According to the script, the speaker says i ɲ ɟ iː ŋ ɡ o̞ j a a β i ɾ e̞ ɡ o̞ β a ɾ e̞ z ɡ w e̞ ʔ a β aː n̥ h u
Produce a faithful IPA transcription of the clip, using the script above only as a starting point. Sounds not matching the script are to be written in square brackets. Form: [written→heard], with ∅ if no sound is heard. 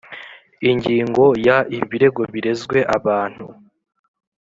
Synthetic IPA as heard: i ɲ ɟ iː ŋ ɡ o̞ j a [a→i] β i ɾ e̞ ɡ o̞ β [a→i] ɾ e̞ z ɡ w e̞ ʔ a β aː n̥ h u